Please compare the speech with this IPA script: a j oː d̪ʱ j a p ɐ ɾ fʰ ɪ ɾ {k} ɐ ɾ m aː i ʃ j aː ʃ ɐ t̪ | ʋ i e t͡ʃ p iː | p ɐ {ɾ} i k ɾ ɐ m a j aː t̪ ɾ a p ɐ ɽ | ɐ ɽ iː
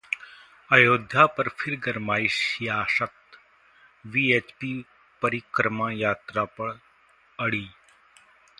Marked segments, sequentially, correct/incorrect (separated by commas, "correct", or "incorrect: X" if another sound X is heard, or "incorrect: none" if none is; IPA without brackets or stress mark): incorrect: ɡ, correct